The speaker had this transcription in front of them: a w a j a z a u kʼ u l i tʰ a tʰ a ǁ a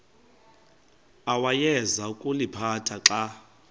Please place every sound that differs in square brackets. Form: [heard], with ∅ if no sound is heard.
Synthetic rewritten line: a w a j [ɛ] z a u kʼ u l i [pʰ] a tʰ a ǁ a